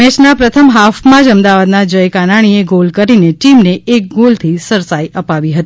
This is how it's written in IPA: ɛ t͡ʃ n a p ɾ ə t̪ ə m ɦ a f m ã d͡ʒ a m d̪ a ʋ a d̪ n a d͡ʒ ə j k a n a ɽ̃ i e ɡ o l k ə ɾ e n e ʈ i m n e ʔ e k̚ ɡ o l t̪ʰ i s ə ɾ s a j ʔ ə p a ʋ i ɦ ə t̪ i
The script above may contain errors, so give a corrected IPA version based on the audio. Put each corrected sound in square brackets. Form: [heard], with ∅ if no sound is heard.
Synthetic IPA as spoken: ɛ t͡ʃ n a p ɾ ə [t̪ʰ] ə m ɦ a f m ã d͡ʒ [ə] m d̪ a ʋ a d̪ n a d͡ʒ ə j k a n a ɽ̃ i e ɡ o l k ə ɾ [i] n e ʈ i m n e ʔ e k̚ ɡ o l t̪ʰ i s ə ɾ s a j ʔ ə p a ʋ i ɦ ə t̪ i